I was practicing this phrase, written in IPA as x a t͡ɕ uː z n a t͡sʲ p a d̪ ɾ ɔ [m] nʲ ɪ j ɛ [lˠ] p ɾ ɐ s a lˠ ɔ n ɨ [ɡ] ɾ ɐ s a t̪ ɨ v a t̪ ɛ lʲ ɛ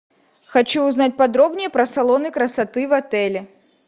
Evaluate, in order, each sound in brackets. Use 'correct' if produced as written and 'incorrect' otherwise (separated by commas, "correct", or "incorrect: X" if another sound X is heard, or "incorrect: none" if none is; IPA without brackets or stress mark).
incorrect: b, incorrect: none, incorrect: k